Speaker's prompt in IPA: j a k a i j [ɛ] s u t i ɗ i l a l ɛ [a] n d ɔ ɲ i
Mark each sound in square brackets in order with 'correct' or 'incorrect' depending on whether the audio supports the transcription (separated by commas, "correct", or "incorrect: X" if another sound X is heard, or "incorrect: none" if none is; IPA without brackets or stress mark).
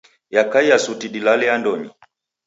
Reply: incorrect: a, correct